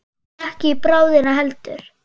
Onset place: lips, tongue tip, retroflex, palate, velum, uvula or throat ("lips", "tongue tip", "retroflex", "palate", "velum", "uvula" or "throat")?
throat